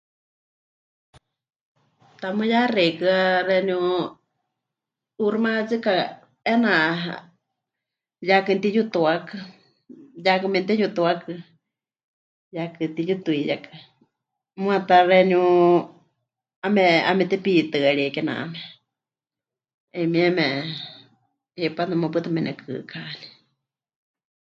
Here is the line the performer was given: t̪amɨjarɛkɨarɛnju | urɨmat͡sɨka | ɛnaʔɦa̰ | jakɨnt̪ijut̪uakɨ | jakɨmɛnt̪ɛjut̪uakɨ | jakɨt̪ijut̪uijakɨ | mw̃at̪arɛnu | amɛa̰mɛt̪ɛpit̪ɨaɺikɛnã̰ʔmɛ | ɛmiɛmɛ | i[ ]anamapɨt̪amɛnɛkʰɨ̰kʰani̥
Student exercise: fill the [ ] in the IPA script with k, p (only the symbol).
p